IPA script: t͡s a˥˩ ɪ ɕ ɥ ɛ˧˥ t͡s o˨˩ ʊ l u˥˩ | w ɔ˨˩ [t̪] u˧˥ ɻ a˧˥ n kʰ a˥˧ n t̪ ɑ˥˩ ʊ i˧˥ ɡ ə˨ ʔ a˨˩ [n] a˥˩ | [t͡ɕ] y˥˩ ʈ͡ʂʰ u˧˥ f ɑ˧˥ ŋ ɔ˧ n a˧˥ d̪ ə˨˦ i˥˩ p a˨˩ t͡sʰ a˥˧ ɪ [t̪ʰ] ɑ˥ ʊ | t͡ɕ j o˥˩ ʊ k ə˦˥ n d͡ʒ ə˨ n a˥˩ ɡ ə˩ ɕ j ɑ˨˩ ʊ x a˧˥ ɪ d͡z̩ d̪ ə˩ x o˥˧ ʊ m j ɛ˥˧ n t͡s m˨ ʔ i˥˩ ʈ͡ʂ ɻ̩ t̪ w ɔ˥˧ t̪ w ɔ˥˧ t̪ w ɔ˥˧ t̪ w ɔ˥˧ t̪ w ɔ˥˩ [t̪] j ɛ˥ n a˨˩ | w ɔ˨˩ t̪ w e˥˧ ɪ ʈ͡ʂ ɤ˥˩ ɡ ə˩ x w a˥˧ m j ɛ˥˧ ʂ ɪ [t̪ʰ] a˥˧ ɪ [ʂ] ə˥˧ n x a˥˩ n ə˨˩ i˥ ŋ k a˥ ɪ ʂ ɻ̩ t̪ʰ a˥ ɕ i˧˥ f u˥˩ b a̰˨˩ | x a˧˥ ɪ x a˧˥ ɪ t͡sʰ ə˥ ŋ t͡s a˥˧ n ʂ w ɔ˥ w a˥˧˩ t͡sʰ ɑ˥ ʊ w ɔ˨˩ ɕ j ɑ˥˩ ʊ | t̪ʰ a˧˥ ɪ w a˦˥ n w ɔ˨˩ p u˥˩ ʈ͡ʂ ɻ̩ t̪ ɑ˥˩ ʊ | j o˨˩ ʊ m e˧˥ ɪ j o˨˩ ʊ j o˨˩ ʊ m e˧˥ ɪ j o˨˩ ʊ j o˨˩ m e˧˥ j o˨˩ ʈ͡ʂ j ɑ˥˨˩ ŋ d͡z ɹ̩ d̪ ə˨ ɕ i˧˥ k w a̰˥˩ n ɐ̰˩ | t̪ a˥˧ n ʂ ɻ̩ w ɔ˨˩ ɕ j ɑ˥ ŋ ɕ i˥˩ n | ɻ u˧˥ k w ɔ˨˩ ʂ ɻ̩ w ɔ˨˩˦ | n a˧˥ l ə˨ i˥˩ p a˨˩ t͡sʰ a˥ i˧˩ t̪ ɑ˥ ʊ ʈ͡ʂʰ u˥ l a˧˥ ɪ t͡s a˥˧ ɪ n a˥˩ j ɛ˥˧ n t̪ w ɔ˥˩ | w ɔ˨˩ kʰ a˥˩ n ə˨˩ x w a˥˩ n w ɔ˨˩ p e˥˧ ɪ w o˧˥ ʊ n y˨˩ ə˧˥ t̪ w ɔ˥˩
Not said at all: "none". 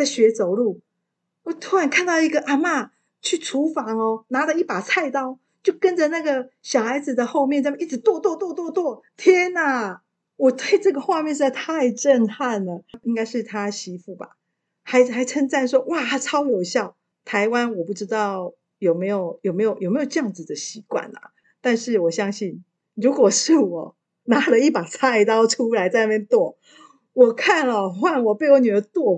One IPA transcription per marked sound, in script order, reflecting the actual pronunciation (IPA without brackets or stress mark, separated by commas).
t̪ʰ, m, t͡ɕʰ, t̪, t̪ʰ, t̪ʰ, ʈ͡ʂ